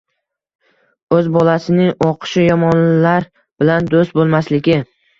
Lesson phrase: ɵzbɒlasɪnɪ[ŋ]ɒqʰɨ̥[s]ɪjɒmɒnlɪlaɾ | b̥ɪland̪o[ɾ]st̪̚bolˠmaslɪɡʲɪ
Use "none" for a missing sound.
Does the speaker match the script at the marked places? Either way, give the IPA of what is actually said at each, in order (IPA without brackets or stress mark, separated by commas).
ŋ, ʃ, none